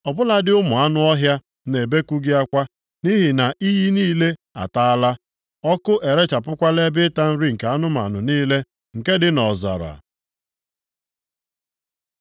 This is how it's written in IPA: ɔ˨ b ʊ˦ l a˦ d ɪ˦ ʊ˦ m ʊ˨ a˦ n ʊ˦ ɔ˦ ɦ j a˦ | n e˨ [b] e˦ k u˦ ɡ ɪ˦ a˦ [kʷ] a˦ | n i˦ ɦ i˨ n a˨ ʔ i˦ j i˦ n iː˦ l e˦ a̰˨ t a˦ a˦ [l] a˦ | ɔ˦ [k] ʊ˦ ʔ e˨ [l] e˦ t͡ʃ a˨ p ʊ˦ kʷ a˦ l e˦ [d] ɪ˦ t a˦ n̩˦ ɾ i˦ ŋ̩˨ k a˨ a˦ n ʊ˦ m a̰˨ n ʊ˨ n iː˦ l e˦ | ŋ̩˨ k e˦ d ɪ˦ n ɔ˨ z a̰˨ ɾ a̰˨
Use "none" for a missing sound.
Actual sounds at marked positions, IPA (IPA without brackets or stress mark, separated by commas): b, kʷ, l, k, ɾ, b